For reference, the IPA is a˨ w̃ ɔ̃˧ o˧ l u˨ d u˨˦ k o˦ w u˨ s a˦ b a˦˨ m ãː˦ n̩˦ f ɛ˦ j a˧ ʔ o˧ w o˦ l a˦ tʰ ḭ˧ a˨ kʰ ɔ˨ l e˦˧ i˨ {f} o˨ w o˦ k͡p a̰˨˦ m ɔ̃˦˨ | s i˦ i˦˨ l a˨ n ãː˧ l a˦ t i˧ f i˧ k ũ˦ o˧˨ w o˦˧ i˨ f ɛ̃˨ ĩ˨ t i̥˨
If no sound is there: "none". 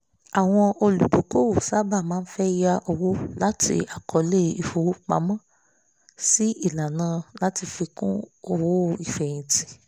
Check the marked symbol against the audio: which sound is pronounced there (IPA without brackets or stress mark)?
f